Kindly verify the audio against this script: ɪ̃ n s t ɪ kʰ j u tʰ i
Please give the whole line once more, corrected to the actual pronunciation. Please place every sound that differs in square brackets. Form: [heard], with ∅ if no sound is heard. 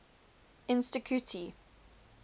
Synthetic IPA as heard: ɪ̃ n s t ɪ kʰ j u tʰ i